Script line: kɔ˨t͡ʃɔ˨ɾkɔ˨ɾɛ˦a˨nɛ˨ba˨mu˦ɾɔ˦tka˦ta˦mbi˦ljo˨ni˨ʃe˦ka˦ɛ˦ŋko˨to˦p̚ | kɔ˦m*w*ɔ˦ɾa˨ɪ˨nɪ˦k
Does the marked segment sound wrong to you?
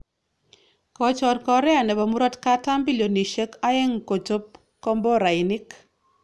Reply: yes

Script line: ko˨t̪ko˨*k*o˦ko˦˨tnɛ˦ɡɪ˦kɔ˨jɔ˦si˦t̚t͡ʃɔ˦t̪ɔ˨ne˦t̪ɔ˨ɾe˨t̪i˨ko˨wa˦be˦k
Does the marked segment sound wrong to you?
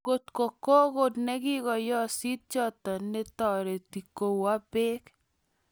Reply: no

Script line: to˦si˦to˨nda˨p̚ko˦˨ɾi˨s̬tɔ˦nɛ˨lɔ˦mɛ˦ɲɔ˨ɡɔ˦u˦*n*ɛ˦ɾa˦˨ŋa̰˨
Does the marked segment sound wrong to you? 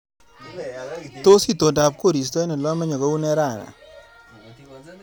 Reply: no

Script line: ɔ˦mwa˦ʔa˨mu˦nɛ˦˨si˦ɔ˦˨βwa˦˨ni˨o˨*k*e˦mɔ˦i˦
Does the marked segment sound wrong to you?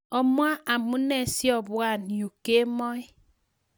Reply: no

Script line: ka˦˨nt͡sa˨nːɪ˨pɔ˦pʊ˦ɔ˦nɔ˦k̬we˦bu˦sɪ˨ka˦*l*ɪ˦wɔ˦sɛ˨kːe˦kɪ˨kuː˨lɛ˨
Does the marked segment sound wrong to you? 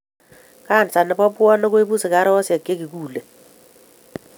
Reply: yes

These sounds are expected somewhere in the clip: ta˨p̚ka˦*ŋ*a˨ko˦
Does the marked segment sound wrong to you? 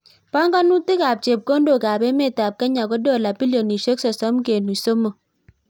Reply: yes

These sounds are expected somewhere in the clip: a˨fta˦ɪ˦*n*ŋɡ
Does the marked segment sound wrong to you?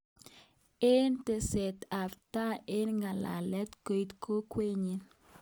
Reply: no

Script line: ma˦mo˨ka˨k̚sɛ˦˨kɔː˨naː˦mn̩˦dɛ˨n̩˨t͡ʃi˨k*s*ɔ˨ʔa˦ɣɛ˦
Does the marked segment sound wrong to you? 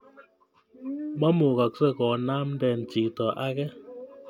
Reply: yes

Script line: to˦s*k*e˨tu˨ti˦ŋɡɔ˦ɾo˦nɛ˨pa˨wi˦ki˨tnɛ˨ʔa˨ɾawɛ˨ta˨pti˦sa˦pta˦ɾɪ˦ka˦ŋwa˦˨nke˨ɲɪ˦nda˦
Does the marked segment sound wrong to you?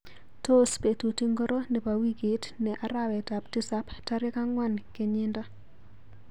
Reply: yes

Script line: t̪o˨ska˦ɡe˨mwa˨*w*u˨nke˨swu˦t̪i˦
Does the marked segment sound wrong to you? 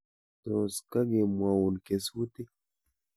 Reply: no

